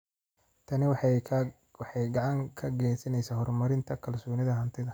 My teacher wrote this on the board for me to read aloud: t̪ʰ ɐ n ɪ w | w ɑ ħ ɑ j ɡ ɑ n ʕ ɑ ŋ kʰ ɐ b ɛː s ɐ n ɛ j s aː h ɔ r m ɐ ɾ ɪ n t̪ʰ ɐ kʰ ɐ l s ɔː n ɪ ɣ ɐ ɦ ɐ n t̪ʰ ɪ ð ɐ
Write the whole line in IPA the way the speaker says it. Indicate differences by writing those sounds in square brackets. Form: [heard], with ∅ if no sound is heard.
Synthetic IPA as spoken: t̪ʰ ɐ n ɪ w | w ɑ ħ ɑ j ɡ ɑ [∅] ʕ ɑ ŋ kʰ ɐ [ɡ] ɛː s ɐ n ɛ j s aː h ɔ r m ɐ ɾ ɪ n t̪ʰ ɐ kʰ ɐ l s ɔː n ɪ [ð] ɐ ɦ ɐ n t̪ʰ ɪ ð ɐ